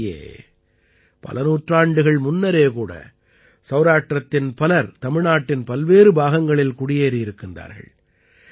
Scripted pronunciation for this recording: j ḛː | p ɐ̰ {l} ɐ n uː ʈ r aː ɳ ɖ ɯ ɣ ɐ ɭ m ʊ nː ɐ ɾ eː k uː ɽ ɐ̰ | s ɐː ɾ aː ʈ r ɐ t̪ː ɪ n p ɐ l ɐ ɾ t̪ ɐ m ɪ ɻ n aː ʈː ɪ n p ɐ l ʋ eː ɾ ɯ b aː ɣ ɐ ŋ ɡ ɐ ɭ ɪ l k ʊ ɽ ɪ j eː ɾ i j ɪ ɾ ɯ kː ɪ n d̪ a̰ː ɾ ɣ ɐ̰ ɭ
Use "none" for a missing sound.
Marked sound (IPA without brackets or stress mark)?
l